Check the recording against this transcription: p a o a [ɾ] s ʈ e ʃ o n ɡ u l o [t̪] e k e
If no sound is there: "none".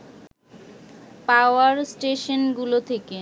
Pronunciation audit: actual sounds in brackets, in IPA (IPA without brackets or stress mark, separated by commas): ɾ, t̪ʰ